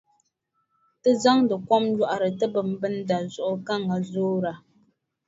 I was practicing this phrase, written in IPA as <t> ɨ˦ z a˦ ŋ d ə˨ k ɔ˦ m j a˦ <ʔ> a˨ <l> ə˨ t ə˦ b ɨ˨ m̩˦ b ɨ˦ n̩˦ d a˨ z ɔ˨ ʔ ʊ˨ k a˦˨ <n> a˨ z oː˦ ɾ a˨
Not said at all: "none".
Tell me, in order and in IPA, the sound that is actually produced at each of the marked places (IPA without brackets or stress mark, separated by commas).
t, ʔ, ɾ, ŋ